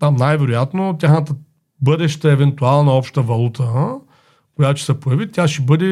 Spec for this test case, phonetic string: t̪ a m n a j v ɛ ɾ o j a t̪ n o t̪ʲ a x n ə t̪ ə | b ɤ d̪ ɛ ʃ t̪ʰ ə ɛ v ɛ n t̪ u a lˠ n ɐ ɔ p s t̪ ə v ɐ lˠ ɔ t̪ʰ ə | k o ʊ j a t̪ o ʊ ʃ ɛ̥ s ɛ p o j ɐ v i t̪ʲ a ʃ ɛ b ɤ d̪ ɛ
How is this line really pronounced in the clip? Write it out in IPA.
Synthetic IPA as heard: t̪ a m n a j v ɛ ɾ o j a t̪ n o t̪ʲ a x n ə t̪ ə | b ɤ d̪ ɛ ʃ t̪ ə ɛ v ɛ n t̪ u a lˠ n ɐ ɔ p ʃ t̪ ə v ɐ lˠ u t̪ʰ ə | k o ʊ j a t̪ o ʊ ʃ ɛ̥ s ɛ p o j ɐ v i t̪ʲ a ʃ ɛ b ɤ d̪ ɛ